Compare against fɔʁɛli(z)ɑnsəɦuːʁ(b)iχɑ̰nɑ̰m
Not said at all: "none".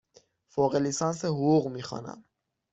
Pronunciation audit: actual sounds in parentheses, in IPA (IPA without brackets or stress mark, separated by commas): s, m